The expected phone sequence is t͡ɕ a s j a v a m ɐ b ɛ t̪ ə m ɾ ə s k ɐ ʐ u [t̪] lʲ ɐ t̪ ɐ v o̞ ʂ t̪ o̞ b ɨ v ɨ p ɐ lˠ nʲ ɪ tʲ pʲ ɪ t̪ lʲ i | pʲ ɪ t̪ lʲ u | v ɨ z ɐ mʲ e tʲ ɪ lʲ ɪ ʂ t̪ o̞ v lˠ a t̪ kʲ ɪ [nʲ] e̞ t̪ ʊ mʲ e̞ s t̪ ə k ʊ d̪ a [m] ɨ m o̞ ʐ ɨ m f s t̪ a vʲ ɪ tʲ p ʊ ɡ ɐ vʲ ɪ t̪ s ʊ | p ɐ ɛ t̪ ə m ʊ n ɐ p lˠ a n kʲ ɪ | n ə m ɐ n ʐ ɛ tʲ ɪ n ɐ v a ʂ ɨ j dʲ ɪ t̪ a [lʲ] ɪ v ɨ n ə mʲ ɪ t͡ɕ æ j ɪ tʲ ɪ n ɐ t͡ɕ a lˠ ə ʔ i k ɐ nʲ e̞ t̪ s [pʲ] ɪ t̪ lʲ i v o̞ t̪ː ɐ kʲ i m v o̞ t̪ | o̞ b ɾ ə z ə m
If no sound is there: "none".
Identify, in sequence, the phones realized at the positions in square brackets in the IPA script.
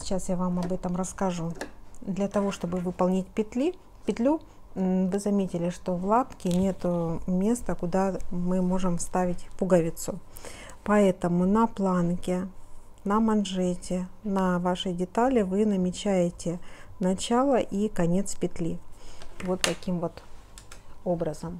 d̪, nʲ, m, lʲ, pʲ

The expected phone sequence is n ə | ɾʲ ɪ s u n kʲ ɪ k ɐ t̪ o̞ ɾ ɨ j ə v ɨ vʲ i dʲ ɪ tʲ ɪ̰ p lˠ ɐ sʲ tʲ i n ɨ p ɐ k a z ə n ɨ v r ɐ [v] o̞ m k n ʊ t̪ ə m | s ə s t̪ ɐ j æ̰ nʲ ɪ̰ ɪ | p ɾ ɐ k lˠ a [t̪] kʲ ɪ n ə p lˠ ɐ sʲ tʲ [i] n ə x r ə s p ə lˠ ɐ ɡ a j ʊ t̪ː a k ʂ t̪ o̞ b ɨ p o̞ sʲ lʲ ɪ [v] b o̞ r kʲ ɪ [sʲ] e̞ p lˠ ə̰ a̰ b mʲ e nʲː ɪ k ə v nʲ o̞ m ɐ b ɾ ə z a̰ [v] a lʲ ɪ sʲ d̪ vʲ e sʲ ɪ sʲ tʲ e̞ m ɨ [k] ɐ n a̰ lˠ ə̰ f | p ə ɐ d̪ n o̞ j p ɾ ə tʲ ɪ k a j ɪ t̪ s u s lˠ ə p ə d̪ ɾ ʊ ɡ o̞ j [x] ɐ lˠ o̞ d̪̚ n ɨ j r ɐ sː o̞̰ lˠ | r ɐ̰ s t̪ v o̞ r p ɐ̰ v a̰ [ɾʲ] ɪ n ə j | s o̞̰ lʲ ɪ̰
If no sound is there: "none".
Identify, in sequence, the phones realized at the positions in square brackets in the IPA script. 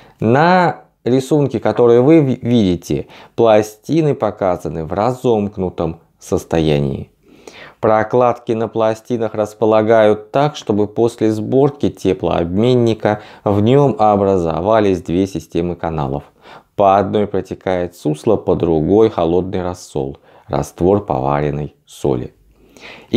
z, t̪, i, z, tʲ, v, k, x, ɾʲ

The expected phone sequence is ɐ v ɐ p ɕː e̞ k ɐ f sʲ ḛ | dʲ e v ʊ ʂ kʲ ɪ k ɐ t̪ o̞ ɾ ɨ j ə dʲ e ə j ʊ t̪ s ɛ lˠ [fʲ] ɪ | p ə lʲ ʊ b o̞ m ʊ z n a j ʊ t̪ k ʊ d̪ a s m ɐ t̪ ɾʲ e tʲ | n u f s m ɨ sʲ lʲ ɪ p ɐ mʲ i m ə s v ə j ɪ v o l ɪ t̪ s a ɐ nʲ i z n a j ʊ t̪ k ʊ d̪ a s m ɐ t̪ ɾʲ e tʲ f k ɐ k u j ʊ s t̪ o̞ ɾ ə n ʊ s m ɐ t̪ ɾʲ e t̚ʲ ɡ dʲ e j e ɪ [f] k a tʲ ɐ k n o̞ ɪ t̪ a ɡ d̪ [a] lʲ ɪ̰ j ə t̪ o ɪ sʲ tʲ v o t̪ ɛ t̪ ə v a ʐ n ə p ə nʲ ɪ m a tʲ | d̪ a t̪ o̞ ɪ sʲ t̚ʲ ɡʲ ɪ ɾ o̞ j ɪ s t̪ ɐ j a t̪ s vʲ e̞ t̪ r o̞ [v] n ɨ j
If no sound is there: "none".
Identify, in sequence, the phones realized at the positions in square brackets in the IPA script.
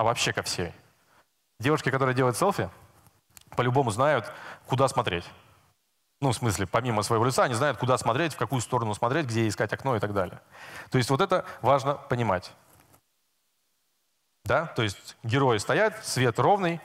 fʲ, s, a, v

